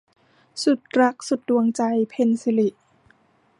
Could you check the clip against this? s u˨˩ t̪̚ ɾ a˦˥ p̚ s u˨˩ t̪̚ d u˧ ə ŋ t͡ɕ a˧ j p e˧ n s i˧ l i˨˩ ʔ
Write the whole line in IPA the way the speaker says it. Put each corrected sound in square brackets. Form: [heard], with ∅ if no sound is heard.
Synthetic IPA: s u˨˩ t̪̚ ɾ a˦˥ [k̚] s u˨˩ t̪̚ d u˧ ə ŋ t͡ɕ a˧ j [pʰ] e˧ n s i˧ l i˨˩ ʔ